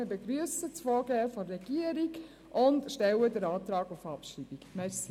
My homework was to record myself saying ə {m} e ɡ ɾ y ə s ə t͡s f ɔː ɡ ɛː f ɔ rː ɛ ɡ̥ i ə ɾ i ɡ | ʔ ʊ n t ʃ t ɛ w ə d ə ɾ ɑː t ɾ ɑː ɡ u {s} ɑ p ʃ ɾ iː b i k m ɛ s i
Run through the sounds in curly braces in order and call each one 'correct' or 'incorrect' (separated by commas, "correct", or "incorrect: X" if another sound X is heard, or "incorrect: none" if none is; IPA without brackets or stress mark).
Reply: incorrect: b, incorrect: f